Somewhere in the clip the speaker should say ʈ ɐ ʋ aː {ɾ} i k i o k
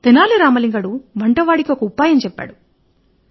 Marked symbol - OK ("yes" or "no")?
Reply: no